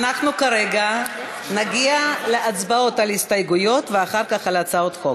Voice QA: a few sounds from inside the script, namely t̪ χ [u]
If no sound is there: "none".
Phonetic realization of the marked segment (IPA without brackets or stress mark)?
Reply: o